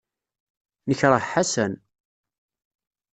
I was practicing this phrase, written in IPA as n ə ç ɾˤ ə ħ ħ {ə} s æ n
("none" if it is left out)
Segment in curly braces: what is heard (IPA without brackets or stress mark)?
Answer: a